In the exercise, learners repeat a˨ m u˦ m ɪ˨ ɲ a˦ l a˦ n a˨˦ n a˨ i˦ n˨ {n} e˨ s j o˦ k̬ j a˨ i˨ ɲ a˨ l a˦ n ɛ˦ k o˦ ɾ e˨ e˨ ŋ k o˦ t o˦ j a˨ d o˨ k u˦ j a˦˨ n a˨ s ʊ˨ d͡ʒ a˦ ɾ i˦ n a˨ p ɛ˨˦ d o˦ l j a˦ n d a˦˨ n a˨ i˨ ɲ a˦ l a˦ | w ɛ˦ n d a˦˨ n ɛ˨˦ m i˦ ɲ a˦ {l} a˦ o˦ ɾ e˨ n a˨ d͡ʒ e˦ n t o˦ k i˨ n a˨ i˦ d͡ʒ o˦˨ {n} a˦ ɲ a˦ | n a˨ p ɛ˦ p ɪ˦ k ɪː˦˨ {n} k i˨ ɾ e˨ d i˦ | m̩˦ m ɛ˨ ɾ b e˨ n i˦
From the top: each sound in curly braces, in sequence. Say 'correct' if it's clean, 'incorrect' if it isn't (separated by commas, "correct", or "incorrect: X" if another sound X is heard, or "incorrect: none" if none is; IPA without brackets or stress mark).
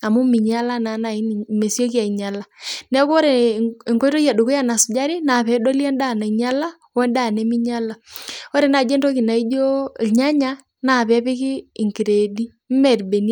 incorrect: m, correct, incorrect: ɲ, incorrect: ŋ